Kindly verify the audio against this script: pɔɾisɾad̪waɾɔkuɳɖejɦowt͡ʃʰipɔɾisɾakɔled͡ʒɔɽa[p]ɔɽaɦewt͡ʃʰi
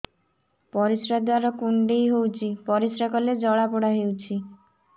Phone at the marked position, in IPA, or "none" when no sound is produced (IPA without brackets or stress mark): p